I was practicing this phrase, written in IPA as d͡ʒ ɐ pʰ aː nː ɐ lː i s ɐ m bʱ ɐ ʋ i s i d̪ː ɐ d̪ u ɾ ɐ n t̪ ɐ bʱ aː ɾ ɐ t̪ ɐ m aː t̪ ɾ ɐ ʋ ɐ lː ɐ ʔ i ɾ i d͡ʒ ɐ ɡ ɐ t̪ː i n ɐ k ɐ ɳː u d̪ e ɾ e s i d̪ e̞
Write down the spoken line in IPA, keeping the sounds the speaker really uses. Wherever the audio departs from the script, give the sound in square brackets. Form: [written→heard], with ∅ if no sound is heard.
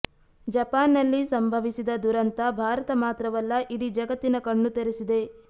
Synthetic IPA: d͡ʒ ɐ [pʰ→p] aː nː ɐ lː i s ɐ m bʱ ɐ ʋ i s i [d̪ː→d̪] ɐ d̪ u ɾ ɐ n t̪ ɐ bʱ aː ɾ ɐ t̪ ɐ m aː t̪ ɾ ɐ ʋ ɐ lː ɐ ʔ i [ɾ→ɽ] i d͡ʒ ɐ ɡ ɐ t̪ː i n ɐ k ɐ ɳː u [d̪→t̪] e ɾ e s i d̪ e̞